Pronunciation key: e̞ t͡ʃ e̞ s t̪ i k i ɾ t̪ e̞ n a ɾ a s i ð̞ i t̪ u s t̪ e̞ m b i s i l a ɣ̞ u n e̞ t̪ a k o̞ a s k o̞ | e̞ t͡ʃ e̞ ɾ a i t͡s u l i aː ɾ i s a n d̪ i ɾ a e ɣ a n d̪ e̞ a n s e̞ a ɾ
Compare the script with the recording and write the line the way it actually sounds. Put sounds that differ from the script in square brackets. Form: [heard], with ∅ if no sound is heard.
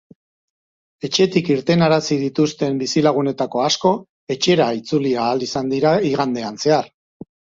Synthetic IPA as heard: e̞ t͡ʃ e̞ [∅] t̪ i k i ɾ t̪ e̞ n a ɾ a s i ð̞ i t̪ u s t̪ e̞ m b i s i l a ɣ̞ u n e̞ t̪ a k o̞ a s k o̞ | e̞ t͡ʃ e̞ ɾ a i t͡s u l i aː [l] i s a n d̪ i ɾ a [i] ɣ a n d̪ e̞ a n s e̞ a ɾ